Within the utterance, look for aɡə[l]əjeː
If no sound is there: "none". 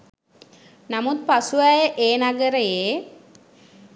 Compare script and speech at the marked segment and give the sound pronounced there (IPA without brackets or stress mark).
ɾ